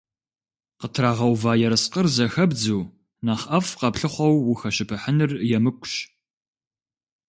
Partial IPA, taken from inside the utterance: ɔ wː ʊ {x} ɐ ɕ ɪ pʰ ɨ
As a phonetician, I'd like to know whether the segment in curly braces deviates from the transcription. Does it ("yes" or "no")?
no